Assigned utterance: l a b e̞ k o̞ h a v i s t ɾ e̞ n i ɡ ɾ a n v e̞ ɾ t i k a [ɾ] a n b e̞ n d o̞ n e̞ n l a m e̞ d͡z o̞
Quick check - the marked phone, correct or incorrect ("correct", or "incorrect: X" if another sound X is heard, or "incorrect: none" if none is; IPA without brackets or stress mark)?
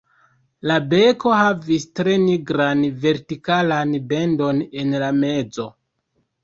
incorrect: l